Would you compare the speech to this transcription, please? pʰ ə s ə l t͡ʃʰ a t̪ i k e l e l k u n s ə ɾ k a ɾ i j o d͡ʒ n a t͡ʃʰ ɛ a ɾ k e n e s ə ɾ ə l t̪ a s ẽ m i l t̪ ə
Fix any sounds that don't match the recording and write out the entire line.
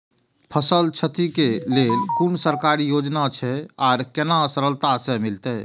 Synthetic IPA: pʰ ə s ə l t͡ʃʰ ə t̪ i k e l e l k u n s ə ɾ k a ɾ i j o d͡ʒ n a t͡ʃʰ ɛ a ɾ k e n a s ə ɾ ə l t̪ a s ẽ m i l t̪ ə

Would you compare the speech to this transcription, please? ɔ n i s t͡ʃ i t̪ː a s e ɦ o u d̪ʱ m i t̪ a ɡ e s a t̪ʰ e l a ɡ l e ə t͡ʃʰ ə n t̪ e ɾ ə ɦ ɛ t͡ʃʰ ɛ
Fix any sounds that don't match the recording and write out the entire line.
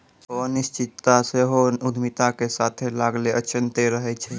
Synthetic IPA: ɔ n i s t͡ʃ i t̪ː a s e ɦ o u d̪ʱ m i t̪ a k e s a t̪ʰ e l a ɡ l e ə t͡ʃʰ ə n t̪ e ɾ ə ɦ ɛ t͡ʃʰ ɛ

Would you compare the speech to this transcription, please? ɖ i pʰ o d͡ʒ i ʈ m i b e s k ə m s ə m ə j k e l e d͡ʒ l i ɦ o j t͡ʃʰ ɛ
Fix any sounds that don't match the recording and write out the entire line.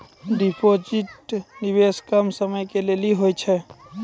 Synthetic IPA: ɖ i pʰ o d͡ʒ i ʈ n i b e s k ə m s ə m ə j k e l e l i ɦ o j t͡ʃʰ ɛ

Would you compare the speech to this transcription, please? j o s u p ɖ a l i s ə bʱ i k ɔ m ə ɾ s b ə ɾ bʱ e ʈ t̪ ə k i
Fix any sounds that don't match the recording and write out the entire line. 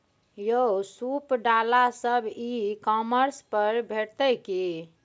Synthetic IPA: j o s u p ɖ a l a s ə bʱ i k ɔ m ə ɾ s p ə ɾ bʱ e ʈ t̪ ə k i

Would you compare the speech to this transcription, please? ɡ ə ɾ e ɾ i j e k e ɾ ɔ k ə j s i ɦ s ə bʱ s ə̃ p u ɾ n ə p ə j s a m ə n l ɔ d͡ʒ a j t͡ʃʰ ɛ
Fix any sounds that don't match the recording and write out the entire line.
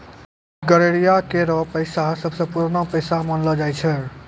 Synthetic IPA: ɡ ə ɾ e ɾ i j a k e ɾ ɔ p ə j s a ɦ s ə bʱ s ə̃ p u ɾ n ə p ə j s a m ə n l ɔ d͡ʒ a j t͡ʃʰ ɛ

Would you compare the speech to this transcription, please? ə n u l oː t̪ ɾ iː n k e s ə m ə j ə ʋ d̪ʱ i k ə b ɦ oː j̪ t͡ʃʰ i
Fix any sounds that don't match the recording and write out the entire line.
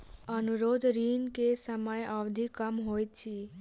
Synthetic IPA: ə n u ɾ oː d̪ ɾ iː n k e s ə m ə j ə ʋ d̪ʱ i k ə m ɦ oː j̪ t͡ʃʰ i

